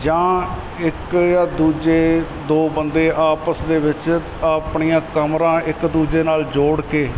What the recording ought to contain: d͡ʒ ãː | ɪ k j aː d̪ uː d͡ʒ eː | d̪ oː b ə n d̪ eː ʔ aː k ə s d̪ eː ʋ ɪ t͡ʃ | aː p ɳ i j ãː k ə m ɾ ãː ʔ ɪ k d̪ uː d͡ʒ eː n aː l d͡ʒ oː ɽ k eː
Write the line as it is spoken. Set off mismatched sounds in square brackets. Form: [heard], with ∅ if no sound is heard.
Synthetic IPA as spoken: d͡ʒ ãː | ɪ k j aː d̪ uː d͡ʒ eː | d̪ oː b ə n d̪ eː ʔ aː [p] ə s d̪ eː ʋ ɪ t͡ʃ | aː p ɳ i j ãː k ə m ɾ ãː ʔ ɪ k d̪ uː d͡ʒ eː n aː l d͡ʒ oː ɽ k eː